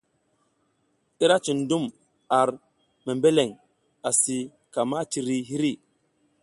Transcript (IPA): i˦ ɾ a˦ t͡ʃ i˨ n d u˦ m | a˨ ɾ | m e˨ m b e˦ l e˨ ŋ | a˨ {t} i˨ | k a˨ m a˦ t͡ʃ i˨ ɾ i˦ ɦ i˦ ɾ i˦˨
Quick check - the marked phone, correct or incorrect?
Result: incorrect